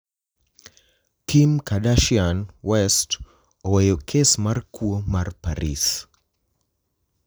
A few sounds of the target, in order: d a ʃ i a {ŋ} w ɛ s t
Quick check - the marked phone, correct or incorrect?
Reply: incorrect